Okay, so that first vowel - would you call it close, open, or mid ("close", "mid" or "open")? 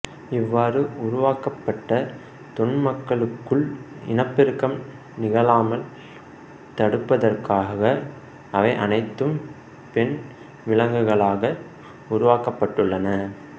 close